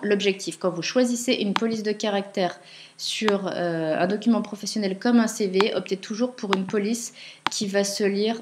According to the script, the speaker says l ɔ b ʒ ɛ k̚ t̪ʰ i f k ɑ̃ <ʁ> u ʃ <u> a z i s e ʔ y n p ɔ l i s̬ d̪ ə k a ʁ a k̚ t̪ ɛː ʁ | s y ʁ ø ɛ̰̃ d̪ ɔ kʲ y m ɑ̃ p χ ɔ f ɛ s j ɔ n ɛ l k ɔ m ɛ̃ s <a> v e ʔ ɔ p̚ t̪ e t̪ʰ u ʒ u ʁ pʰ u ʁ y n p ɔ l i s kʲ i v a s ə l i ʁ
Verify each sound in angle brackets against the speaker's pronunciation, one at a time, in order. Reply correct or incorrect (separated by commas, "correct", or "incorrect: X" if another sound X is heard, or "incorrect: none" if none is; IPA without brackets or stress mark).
incorrect: v, incorrect: w, incorrect: e